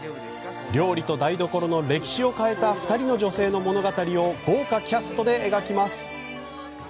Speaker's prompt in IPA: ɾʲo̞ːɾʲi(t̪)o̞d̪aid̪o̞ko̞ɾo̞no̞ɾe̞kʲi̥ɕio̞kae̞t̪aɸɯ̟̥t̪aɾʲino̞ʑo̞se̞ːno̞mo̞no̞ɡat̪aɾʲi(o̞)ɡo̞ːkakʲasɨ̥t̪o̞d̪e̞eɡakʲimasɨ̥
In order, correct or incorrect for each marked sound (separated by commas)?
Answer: correct, correct